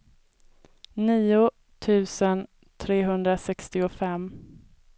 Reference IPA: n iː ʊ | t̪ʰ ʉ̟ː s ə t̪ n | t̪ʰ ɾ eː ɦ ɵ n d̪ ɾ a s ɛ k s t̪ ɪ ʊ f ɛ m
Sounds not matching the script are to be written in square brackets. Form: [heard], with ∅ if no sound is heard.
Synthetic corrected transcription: n iː ʊ | t̪ʰ ʉ̟ː s ə [∅] n | t̪ʰ ɾ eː ɦ ɵ n d̪ ɾ a s ɛ k s t̪ ɪ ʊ f ɛ m